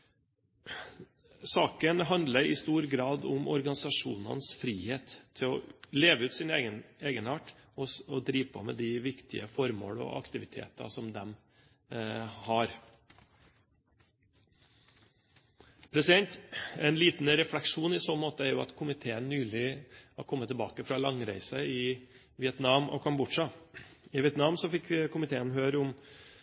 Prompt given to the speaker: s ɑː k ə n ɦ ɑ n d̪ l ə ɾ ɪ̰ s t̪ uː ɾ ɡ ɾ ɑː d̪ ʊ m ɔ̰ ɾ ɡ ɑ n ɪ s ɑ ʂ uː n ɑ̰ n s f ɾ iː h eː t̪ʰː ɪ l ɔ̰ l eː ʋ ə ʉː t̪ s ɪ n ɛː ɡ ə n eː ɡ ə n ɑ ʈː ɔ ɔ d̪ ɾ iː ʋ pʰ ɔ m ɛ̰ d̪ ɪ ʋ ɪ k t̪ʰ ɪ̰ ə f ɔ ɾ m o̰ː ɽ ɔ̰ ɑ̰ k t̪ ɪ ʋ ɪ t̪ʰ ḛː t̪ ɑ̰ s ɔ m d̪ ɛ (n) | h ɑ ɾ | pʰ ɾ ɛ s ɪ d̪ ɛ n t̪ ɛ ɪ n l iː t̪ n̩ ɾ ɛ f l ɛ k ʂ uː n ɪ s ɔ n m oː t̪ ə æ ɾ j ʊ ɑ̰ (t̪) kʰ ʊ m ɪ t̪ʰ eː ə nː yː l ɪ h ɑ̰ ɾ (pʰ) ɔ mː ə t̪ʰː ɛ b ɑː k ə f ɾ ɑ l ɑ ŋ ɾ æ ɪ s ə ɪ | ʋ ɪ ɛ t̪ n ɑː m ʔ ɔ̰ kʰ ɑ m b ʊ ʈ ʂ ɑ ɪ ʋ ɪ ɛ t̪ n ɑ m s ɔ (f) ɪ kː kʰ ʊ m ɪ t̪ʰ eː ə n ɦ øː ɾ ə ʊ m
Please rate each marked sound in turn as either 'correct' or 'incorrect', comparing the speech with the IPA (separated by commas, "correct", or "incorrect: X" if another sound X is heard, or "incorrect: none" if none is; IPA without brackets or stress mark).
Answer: incorrect: m, correct, incorrect: kʰ, correct